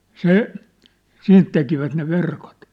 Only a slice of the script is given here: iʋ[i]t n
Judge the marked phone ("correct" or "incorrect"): incorrect